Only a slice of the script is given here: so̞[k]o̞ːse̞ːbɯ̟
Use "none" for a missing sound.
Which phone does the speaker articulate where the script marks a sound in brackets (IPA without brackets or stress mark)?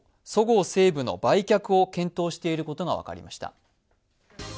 ɡ